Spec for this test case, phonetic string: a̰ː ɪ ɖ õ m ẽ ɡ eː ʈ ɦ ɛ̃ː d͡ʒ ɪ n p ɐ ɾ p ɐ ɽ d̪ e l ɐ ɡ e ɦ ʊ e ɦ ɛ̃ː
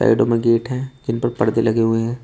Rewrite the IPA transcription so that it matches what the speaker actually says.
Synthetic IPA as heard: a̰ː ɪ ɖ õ m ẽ ɡ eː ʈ ɦ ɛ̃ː d͡ʒ ɪ n p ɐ ɾ p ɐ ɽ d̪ e l ɐ ɡ e ɦ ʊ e ɦ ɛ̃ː